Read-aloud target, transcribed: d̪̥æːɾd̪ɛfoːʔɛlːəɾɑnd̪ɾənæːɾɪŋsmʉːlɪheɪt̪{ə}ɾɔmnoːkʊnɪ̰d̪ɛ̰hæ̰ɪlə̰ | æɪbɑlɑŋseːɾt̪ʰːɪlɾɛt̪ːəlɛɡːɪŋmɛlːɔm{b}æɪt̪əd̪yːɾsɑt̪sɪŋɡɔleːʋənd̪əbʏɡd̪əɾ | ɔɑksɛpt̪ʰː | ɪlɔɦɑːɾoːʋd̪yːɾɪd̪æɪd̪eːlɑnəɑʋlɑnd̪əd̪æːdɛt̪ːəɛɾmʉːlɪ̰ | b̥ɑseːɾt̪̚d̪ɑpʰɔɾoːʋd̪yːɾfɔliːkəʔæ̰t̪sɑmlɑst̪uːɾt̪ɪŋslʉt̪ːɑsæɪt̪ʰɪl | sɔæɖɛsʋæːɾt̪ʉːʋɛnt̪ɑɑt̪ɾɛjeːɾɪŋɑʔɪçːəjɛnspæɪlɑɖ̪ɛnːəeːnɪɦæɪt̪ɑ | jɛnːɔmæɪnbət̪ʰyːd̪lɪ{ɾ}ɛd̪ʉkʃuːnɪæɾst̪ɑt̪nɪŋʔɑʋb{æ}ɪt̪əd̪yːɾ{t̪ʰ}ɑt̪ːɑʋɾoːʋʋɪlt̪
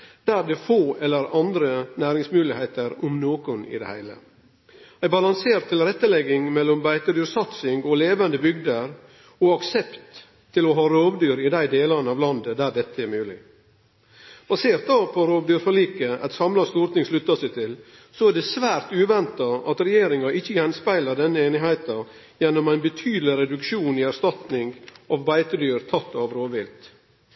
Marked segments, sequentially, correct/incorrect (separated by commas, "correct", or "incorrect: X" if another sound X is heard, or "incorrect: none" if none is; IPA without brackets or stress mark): correct, correct, correct, correct, correct